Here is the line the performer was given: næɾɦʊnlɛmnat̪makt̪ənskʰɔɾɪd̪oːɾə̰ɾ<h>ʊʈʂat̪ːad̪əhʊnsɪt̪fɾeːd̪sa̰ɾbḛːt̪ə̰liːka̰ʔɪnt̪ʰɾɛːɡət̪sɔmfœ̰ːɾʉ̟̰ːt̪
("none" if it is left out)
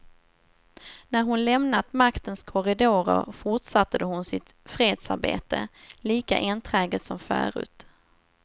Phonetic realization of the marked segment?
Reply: f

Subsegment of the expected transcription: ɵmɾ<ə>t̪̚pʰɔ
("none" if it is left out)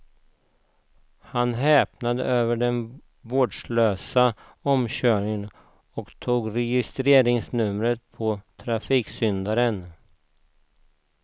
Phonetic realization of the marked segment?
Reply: ə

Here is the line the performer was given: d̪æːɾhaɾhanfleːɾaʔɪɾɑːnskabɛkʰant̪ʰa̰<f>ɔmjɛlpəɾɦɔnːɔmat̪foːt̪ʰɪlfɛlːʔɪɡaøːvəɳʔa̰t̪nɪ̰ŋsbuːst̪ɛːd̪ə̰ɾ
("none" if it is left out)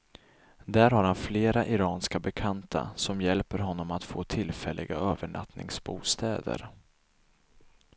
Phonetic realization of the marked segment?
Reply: s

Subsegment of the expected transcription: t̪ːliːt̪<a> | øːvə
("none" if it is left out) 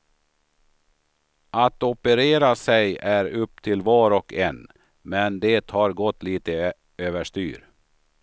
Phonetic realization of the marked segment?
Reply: ə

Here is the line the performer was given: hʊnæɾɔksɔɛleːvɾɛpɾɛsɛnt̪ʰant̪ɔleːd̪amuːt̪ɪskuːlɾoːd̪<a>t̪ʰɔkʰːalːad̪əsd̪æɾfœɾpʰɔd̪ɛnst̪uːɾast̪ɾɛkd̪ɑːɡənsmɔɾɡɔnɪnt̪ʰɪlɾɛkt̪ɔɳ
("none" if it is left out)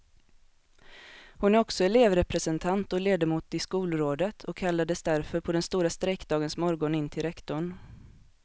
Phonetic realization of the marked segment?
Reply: ə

